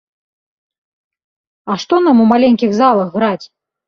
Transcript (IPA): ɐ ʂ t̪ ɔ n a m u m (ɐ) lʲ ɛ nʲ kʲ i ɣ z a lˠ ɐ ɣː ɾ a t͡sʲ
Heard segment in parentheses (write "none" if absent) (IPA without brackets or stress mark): a